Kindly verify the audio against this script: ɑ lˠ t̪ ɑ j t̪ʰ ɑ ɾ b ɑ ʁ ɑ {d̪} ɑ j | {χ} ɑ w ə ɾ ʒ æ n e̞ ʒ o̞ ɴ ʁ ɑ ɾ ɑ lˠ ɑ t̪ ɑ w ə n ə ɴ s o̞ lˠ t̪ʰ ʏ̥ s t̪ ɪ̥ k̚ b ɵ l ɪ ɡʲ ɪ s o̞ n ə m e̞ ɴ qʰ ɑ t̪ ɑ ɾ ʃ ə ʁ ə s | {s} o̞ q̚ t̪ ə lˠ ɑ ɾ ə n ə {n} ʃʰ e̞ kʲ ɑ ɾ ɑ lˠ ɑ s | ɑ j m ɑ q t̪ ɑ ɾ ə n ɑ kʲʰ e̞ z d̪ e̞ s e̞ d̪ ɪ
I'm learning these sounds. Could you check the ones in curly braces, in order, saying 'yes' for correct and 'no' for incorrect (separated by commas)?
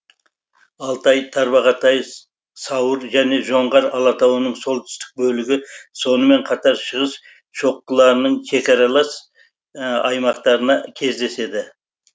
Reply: no, no, no, no